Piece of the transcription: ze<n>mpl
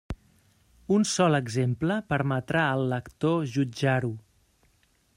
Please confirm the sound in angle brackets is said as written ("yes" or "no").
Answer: no